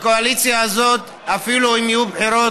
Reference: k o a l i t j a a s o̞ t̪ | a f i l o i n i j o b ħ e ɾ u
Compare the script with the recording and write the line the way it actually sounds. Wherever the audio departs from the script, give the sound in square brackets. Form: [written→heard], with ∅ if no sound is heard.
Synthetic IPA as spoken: k o a l i [t→t͡s] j a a [s→z] o̞ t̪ | a f i l [o→u] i [n→m] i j [o→u] b ħ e ɾ [u→o]